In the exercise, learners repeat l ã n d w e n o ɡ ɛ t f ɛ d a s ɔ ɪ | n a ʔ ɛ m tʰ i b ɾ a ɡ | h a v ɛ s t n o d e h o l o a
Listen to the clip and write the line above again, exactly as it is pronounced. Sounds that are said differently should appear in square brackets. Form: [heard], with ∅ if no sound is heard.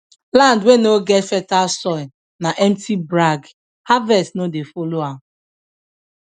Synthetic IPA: l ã n d w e n o ɡ ɛ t f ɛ [t] a s ɔ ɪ | n a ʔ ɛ m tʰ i b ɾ a ɡ | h a v ɛ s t n o d e [f] o l o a

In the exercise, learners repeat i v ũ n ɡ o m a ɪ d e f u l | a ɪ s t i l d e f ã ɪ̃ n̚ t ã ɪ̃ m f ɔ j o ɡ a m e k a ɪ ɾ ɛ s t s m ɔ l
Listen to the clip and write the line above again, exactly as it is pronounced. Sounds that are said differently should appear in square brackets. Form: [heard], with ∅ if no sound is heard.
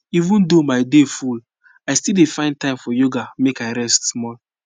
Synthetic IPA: i v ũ n [d] o m a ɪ d e f u l | a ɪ s t i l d e f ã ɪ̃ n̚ t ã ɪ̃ m f ɔ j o ɡ a m e k a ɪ ɾ ɛ s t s m ɔ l

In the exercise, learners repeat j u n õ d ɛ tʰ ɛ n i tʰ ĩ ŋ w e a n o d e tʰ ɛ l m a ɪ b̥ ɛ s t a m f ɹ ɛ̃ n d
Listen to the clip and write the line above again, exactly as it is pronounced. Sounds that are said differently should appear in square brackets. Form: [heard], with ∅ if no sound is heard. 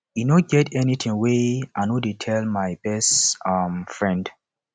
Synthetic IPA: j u n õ [ɡ] ɛ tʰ ɛ n i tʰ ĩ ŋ w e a n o d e tʰ ɛ l m a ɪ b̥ ɛ s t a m f ɹ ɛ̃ n d

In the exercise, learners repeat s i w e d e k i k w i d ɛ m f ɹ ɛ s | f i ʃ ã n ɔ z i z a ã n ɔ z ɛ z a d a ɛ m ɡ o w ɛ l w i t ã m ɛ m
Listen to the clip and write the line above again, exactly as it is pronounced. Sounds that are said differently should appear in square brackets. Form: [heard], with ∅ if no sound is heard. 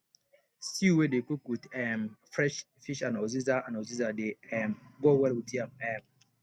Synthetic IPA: s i w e d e k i k w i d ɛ m f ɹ ɛ [ʃ] | f i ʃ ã n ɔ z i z a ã n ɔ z [i] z a d [e] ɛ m ɡ o w ɛ l w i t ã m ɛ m

